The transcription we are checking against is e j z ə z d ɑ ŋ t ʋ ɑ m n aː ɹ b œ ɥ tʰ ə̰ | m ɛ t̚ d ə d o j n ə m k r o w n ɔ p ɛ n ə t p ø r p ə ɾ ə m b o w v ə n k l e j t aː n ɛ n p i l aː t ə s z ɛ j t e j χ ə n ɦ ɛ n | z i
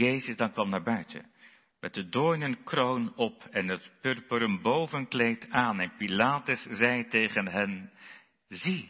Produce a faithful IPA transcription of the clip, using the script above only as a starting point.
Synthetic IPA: e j z ə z d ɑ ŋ k ʋ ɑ m n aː ɹ b œ ɥ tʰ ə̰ | m ɛ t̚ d ə d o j n ə n k r o w n ɔ p ɛ n ə t p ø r p ə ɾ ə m b o w v ə n k l e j t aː n ɛ n p i l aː t ə s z ɛ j t e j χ ə n ɦ ɛ n | z i